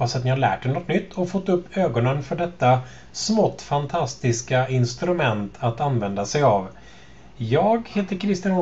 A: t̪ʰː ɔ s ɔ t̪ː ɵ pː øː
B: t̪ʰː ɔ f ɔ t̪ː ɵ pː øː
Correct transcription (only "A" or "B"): B